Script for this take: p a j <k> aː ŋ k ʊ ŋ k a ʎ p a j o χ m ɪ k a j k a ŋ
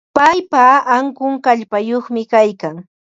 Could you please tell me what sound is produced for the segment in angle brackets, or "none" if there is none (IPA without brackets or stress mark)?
p